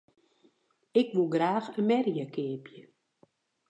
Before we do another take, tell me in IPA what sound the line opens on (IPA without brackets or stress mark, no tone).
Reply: ɪ